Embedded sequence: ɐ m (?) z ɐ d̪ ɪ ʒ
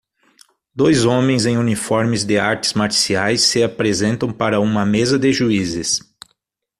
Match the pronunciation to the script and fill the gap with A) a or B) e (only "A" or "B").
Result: B